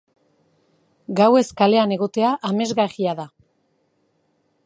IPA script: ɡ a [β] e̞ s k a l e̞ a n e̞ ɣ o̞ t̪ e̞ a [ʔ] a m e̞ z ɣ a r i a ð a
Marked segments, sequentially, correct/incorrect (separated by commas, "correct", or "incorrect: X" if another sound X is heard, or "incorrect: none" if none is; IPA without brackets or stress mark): incorrect: w, correct